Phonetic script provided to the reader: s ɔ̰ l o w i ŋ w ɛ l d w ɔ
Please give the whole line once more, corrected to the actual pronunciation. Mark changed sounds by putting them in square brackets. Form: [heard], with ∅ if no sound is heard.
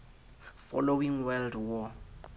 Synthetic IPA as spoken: [f] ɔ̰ l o w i ŋ w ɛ l d w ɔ